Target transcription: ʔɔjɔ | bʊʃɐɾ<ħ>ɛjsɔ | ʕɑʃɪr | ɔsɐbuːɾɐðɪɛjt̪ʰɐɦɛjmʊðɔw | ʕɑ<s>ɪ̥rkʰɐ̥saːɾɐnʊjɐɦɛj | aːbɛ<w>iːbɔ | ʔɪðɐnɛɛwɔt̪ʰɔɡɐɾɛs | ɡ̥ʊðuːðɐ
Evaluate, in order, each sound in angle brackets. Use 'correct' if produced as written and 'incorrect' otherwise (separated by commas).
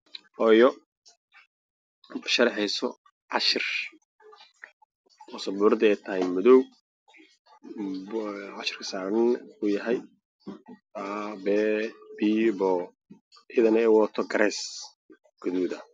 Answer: correct, incorrect, incorrect